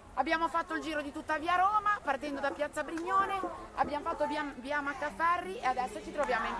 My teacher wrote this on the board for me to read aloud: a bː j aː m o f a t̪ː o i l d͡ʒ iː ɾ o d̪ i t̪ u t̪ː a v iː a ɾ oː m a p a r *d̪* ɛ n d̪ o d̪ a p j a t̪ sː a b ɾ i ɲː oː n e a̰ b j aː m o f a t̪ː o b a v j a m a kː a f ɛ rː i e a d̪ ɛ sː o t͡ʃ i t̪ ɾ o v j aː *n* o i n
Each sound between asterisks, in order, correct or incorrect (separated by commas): incorrect, incorrect